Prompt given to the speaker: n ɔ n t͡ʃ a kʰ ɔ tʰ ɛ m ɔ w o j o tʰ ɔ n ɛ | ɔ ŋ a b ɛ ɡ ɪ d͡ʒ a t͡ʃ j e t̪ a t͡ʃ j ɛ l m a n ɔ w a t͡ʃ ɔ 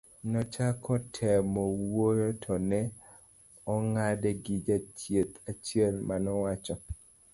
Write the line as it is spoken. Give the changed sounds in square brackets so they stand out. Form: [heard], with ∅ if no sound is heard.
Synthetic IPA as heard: n ɔ [∅] t͡ʃ a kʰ ɔ tʰ ɛ m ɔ w o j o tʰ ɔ n ɛ | ɔ ŋ a [d] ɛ ɡ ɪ d͡ʒ a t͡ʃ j e t̪ a t͡ʃ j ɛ l m a n ɔ w a t͡ʃ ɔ